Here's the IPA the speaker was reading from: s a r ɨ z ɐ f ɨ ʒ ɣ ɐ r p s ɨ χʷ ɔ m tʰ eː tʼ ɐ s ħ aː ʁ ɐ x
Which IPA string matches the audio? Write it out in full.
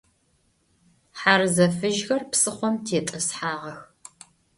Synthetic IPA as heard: ħ a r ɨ z ɐ f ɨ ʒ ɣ ɐ r p s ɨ χʷ ɔ m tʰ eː tʼ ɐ s ħ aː ʁ ɐ x

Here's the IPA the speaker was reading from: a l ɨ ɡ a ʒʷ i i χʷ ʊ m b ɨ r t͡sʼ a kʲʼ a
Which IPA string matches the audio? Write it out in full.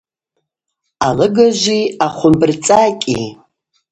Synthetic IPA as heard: a l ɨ ɡ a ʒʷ i a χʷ ʊ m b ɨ r t͡sʼ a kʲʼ i

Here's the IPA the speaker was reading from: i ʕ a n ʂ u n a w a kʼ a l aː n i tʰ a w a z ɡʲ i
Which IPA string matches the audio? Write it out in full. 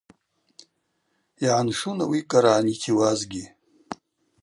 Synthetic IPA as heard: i ʕ a n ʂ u n a w i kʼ a ɾ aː n i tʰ i w a z ɡʲ i

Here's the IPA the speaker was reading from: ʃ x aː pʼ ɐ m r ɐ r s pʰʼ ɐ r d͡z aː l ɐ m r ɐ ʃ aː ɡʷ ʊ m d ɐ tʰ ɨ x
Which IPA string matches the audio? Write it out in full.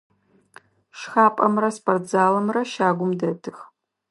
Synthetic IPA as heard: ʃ x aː pʼ ɐ m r ɐ s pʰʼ ɐ r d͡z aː l ɐ m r ɐ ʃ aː ɡʷ ʊ m d ɐ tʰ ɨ x

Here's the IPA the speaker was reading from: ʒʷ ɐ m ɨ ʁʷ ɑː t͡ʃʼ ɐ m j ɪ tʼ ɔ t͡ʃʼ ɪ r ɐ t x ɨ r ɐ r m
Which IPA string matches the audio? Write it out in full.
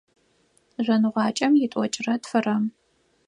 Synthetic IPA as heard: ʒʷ ɐ n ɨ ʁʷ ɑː t͡ʃʼ ɐ m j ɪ tʼ ɔ t͡ʃʼ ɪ r ɐ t f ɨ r ɐ m

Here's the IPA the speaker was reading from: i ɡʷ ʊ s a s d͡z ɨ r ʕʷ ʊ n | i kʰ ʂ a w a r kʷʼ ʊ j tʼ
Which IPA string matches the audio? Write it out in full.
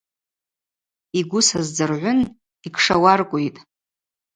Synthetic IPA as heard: i ɡʷ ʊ s a z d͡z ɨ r ʕʷ ʊ n | i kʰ ʂ a w a r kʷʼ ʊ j tʼ

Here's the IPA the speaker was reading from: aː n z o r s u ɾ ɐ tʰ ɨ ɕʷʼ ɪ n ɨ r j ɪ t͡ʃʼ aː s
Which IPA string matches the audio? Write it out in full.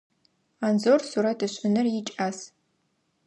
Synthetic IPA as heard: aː n z o r s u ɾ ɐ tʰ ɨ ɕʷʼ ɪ n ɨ r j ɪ t͡ʃʼ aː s

